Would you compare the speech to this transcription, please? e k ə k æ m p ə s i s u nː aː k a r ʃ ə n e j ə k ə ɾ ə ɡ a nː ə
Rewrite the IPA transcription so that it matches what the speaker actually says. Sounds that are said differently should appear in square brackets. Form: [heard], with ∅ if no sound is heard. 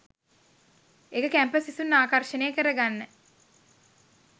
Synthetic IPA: e k ə k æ m p ə s i s u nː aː k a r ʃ ə n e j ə k ə ɾ ə ɡ a nː ə